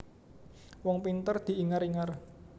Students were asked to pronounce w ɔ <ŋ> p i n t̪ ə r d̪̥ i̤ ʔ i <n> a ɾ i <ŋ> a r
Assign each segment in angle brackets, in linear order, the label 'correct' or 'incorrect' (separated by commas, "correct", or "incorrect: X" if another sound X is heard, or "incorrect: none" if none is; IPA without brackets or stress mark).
correct, incorrect: ŋ, correct